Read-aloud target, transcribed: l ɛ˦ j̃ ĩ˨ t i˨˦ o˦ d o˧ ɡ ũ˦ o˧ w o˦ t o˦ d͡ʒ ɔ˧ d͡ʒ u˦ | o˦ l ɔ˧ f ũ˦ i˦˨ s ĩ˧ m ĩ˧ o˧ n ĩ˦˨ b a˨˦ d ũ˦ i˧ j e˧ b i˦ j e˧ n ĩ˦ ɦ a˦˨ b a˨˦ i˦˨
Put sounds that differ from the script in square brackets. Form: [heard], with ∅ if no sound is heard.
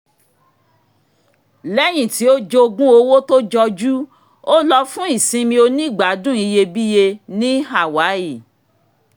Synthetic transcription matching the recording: l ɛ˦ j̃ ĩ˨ t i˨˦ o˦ [d͡ʒ] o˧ ɡ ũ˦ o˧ w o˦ t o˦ d͡ʒ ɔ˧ d͡ʒ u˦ | o˦ l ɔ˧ f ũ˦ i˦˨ s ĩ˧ m ĩ˧ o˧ n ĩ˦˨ [ɡ͡b] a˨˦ d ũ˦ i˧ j e˧ b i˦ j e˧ n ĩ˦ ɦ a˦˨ [w] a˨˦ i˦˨